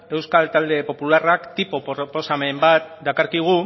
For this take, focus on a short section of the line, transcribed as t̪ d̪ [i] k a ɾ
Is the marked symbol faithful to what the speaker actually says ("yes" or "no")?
no